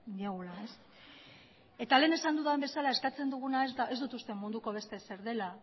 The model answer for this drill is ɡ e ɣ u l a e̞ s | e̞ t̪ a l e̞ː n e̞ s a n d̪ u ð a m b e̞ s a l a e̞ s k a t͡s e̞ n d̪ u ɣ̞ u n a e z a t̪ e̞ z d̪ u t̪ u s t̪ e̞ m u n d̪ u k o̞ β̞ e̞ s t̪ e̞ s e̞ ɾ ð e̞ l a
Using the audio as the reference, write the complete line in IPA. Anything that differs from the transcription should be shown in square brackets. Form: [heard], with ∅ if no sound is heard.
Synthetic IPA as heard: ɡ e ɣ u l a e̞ s | e̞ t̪ a l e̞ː n e̞ s a n d̪ u ð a m b e̞ s a l a e̞ s k a t͡s e̞ n d̪ u ɣ̞ u n a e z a [∅] e̞ z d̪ u t̪ u s t̪ e̞ m u n d̪ u k o̞ β̞ e̞ s t̪ e̞ s e̞ ɾ ð e̞ l a